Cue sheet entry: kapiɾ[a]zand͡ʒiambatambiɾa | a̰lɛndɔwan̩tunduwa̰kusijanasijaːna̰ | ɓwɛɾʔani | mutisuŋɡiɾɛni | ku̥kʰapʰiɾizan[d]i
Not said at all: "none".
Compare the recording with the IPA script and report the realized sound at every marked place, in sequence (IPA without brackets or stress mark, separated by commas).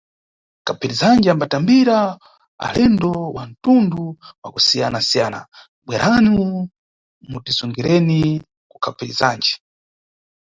i, d͡ʒ